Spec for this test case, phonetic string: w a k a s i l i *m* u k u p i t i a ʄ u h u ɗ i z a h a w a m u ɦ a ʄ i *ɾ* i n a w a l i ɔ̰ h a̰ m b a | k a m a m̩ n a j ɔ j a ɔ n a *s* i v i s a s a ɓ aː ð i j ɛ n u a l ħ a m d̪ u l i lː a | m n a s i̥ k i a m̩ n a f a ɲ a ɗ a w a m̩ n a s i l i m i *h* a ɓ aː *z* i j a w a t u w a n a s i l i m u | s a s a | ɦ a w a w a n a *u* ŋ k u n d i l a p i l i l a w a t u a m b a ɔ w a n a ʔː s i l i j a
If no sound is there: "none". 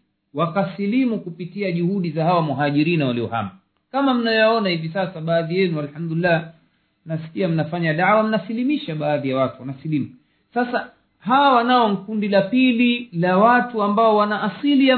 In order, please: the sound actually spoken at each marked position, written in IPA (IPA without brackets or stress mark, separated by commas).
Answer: m, ɾ, h, ʃ, ð, ɔ